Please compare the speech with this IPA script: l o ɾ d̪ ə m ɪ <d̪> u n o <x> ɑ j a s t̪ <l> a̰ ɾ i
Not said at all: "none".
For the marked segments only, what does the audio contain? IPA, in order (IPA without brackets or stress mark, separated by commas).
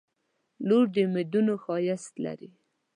d̪, x, l